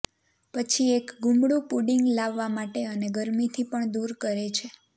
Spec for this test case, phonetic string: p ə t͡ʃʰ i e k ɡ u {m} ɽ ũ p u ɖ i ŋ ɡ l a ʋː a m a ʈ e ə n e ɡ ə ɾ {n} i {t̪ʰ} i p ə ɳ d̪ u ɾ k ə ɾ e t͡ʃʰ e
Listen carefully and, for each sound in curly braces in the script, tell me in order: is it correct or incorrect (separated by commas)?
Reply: correct, incorrect, correct